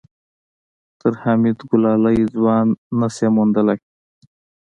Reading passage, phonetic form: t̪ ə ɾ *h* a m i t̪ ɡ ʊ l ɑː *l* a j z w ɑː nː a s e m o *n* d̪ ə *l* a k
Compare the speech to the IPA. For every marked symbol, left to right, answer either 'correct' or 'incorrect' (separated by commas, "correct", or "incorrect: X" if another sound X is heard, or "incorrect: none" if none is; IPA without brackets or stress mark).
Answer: correct, correct, correct, correct